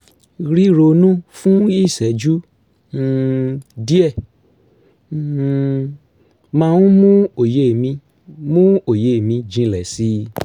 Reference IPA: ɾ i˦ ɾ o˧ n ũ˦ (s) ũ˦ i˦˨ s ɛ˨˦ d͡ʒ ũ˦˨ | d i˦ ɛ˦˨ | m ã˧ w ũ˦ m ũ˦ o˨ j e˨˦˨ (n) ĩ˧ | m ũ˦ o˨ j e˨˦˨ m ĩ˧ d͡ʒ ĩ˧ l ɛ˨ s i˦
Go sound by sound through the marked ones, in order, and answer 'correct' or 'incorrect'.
incorrect: f, incorrect: m

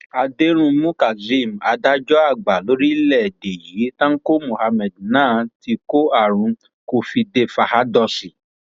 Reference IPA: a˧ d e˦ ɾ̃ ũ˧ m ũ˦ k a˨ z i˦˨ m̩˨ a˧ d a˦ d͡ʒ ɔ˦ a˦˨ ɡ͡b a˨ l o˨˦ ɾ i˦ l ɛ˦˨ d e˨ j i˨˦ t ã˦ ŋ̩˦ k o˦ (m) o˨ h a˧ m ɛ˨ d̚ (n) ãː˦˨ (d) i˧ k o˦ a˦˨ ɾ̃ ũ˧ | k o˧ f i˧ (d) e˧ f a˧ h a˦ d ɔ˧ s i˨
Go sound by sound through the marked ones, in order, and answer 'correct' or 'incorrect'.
correct, correct, incorrect: t, correct

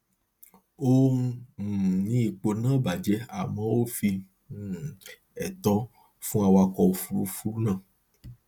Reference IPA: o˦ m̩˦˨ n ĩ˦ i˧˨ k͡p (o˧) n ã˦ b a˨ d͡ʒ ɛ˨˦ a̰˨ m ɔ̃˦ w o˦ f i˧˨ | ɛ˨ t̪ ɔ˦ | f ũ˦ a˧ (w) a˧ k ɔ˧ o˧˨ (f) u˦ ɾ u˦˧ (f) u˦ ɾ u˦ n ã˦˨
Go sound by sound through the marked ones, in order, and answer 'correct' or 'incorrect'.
correct, correct, correct, correct

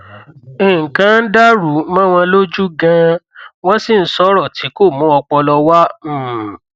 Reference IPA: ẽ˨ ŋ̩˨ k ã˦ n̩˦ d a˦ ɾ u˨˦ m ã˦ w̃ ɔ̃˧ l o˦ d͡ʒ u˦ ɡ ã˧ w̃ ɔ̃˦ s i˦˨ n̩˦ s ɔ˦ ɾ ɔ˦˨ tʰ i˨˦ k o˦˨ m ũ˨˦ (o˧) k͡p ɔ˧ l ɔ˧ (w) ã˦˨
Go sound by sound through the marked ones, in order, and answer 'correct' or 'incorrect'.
incorrect: ɔ˧, correct

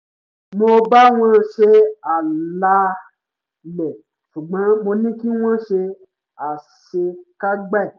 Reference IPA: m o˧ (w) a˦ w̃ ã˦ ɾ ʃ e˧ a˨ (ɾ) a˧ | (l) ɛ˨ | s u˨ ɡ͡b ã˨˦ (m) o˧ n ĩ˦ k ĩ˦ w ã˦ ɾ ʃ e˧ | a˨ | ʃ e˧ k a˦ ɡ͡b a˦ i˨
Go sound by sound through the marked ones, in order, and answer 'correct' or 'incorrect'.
incorrect: b, incorrect: l, correct, correct

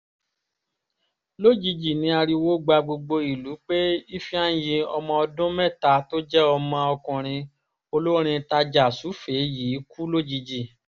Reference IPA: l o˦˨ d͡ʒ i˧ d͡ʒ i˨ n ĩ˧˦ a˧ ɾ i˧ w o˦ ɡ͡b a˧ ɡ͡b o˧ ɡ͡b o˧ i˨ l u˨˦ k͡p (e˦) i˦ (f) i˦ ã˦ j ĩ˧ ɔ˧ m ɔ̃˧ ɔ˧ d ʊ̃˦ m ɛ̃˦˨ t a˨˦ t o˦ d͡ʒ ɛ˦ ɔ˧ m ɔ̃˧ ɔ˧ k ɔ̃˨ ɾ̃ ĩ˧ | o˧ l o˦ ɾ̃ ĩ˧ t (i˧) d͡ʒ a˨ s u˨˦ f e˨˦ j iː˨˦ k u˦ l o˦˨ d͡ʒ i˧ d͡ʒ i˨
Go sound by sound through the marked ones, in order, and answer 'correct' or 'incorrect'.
correct, correct, incorrect: a˧

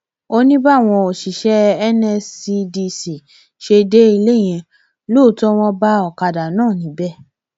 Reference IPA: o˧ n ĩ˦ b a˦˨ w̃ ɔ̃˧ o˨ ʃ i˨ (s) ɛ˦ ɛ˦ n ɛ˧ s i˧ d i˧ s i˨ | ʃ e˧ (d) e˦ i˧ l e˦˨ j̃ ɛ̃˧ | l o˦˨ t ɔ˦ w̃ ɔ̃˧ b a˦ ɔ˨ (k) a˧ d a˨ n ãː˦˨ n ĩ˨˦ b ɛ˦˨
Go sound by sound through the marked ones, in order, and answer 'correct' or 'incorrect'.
incorrect: ʃ, correct, correct

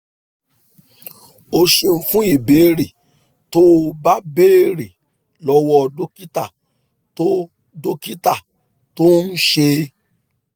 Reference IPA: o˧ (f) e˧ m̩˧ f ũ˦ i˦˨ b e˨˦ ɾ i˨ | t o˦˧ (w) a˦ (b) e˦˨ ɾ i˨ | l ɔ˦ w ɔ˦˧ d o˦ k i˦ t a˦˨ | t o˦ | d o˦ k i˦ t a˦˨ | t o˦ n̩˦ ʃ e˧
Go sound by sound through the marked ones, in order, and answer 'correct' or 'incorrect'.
incorrect: ʃ, incorrect: b, correct

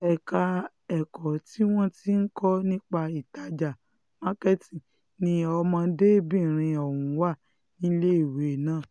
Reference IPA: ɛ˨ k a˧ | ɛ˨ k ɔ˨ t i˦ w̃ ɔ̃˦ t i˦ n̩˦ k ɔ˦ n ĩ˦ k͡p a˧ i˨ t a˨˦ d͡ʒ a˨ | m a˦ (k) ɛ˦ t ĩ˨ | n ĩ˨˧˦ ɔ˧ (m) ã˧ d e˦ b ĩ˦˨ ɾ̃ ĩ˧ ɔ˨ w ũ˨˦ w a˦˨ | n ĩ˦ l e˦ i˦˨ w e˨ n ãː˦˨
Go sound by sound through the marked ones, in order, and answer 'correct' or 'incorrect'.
correct, correct

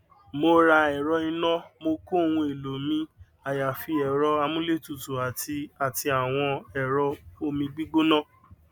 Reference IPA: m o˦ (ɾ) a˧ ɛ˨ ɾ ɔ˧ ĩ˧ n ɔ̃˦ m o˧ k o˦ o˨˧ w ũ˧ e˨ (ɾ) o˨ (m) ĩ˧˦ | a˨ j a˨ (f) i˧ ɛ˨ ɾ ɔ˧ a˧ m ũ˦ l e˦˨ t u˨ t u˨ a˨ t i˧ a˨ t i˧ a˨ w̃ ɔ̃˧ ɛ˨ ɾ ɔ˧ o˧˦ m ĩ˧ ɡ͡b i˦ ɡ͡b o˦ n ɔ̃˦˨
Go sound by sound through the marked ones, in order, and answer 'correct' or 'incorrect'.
correct, incorrect: l, correct, correct

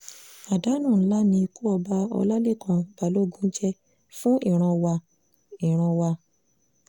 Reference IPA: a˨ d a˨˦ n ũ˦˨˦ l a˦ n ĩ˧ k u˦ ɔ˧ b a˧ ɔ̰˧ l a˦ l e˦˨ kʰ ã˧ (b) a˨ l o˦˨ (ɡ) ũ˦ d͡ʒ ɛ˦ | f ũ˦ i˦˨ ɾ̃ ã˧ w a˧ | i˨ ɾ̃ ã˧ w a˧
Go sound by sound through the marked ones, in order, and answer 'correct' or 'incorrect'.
correct, correct

